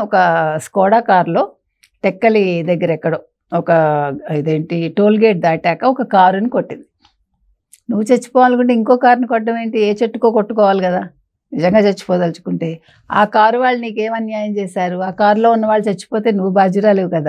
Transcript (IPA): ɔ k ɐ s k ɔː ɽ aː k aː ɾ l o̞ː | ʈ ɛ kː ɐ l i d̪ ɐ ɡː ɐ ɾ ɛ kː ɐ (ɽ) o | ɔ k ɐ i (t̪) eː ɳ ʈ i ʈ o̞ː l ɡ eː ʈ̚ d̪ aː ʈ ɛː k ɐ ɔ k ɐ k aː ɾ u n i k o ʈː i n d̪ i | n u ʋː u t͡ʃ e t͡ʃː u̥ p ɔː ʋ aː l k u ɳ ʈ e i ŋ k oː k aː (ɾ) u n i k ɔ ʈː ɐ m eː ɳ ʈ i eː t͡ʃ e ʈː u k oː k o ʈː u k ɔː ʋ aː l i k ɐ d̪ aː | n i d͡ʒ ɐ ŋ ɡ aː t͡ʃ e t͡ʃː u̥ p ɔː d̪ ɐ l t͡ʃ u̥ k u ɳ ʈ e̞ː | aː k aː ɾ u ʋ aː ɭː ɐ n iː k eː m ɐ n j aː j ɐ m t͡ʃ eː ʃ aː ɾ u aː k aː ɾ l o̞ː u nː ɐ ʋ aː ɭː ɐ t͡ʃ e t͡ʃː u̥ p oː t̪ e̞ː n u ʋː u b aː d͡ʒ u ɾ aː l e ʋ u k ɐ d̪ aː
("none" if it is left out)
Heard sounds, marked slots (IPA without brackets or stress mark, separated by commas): ɽ, d̪, ɾ